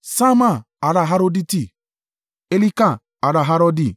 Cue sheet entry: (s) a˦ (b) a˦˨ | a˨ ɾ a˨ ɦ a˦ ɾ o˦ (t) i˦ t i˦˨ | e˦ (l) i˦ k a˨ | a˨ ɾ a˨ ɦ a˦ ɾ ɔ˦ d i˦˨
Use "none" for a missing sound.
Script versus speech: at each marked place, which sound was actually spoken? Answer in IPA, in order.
s, m, d, l

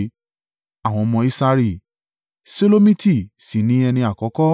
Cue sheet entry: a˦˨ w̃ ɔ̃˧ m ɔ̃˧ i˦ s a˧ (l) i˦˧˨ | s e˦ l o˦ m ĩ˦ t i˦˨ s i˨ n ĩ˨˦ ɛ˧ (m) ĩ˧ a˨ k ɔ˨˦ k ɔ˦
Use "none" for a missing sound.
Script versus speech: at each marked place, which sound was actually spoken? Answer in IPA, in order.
ɾ, n

